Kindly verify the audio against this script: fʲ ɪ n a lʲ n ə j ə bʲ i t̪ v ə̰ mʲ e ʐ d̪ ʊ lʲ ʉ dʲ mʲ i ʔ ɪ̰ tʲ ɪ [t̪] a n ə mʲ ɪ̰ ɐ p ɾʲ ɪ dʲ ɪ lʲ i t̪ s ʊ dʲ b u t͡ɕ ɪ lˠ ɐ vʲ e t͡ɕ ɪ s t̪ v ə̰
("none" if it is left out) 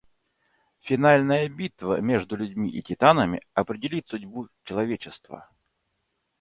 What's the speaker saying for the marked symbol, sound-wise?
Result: t̪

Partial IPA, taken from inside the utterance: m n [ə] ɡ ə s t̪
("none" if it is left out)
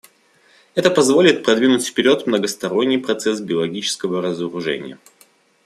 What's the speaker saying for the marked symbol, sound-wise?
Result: ə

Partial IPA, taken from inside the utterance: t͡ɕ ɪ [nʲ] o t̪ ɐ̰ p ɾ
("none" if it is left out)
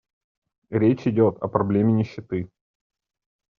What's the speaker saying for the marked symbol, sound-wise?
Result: dʲ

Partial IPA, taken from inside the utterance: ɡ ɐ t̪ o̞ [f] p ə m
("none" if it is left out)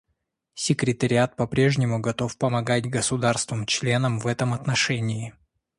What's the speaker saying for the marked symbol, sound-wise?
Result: f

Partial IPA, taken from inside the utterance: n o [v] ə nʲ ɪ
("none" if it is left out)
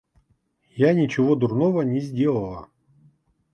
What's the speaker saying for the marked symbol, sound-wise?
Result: v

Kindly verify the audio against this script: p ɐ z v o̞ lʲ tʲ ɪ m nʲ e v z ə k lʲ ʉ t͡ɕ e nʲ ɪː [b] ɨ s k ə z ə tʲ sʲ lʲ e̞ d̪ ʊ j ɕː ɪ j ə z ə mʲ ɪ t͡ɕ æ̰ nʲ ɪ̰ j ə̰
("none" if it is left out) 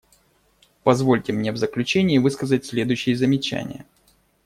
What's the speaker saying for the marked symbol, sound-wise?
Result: v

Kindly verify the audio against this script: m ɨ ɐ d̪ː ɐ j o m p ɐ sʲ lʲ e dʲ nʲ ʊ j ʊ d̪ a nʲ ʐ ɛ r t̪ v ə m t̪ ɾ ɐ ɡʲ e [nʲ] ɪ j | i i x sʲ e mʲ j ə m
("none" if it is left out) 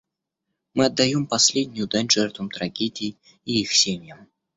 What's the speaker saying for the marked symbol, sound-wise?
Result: dʲ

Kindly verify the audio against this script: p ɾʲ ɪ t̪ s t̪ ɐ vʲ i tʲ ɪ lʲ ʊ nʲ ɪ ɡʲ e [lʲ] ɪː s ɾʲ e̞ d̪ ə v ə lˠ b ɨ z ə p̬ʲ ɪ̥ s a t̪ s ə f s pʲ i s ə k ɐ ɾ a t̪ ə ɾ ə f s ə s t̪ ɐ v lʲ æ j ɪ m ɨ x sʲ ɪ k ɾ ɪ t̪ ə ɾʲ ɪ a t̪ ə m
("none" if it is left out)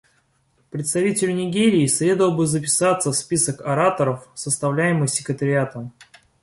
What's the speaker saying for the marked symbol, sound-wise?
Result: ɾʲ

